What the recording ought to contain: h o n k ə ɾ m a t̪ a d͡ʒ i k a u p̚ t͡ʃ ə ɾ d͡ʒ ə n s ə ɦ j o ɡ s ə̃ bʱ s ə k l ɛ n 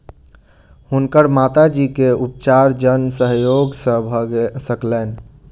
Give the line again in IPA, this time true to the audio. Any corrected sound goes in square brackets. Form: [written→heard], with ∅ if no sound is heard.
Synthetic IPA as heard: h [o→u] n k ə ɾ m a t̪ a d͡ʒ i k [a→e] u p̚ t͡ʃ [ə→a] ɾ d͡ʒ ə n s ə ɦ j o ɡ s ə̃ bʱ s ə k l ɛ n